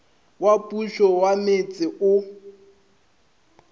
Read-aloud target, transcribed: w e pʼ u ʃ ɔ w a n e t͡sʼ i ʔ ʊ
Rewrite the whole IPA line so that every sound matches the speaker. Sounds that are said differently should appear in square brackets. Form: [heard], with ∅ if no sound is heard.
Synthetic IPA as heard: w [a] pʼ u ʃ ɔ w a [m] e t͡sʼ [ɪ] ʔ ʊ